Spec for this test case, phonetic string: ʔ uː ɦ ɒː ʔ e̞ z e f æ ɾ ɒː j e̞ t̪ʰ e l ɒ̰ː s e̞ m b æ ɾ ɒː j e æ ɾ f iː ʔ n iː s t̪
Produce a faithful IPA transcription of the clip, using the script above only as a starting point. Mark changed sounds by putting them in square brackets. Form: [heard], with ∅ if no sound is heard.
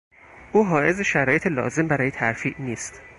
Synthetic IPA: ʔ uː ɦ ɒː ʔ e̞ z e [ʃ] æ ɾ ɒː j e̞ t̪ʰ e l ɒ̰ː [z] e̞ m b æ ɾ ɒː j e æ ɾ f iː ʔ n iː s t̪

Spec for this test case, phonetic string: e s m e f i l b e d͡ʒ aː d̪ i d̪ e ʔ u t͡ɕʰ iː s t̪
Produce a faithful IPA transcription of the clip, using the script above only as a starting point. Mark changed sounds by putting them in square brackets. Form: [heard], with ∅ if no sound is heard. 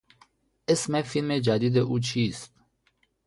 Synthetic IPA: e s m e f i l [m] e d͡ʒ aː d̪ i d̪ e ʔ u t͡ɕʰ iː s t̪

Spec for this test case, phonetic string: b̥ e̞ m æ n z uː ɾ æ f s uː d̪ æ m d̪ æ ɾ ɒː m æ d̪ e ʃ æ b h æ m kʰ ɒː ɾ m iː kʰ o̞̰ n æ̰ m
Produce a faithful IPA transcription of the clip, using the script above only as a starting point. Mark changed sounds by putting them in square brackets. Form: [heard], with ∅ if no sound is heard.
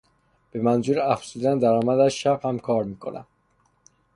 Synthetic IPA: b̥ e̞ m æ n z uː ɾ æ f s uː d̪ æ [n] d̪ æ ɾ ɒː m æ d̪ [æ] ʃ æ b h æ m kʰ ɒː ɾ m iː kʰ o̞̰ n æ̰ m

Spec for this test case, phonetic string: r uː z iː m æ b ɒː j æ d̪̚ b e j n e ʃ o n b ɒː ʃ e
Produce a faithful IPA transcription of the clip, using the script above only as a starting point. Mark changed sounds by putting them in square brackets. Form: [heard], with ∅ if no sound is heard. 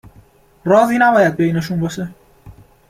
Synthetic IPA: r [ɒː] z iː [n] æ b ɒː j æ d̪̚ b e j n e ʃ [u] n b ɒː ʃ e

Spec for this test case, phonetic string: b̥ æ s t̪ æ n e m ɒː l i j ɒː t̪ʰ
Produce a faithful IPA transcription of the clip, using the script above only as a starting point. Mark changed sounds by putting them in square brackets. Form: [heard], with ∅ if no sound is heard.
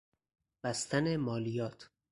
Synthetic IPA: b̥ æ s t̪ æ n e m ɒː l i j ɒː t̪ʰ

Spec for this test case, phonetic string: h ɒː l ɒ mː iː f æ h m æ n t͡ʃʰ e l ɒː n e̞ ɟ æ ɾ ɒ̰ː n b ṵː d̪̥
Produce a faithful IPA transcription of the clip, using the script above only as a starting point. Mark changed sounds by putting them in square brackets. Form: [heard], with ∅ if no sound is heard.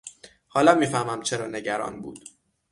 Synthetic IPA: h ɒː l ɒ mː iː f æ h m æ [m] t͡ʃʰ e [ɾ] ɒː n e̞ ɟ æ ɾ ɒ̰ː n b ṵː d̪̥

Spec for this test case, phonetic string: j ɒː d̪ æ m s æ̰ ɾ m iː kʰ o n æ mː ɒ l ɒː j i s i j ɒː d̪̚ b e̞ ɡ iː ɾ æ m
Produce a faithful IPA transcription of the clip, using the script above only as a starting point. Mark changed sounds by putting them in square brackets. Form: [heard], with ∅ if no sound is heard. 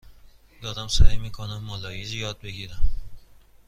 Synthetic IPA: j ɒː d̪ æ m s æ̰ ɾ m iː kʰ o n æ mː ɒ l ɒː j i [z] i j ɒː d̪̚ b e̞ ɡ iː ɾ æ m

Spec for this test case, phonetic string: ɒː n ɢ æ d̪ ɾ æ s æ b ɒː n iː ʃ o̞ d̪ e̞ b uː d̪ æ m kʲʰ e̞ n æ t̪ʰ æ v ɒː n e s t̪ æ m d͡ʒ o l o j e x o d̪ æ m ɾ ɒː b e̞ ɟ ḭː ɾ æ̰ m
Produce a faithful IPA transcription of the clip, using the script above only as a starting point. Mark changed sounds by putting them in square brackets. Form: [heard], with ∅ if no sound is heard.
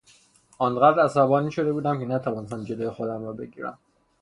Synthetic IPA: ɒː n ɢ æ d̪ ɾ æ s æ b ɒː n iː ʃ o̞ d̪ e̞ b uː d̪ æ m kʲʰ e̞ n æ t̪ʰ æ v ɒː n e s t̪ æ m d͡ʒ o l o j e x o d̪ æ m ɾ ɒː b e̞ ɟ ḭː ɾ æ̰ m

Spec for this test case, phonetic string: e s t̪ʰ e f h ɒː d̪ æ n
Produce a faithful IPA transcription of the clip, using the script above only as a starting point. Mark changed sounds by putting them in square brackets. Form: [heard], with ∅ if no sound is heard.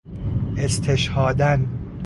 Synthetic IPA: e s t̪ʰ e [ʃ] h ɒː d̪ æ n

